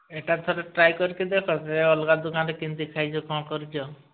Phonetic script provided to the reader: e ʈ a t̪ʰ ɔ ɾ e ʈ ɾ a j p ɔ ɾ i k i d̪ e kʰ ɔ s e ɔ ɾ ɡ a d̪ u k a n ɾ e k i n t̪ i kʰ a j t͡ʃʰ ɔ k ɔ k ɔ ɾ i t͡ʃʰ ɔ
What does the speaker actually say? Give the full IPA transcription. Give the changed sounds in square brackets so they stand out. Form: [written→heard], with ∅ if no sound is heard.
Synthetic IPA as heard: e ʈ a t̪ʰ ɔ ɾ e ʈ ɾ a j [p→k] ɔ ɾ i k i d̪ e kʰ ɔ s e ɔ [ɾ→l] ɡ a d̪ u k a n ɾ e k i n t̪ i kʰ a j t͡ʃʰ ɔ k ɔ k ɔ ɾ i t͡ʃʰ ɔ